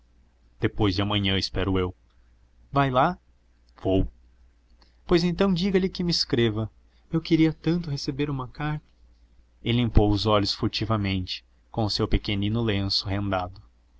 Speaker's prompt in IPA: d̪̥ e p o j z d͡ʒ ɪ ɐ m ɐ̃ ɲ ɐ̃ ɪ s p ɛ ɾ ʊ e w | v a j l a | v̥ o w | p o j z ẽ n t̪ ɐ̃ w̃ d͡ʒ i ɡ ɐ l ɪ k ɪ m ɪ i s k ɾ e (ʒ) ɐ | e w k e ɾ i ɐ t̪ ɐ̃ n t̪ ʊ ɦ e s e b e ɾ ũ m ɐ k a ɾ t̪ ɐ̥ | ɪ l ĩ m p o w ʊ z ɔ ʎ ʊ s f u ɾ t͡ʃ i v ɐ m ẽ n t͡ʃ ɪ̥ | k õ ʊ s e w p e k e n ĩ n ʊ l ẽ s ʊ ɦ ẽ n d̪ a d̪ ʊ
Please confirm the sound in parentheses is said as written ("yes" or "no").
no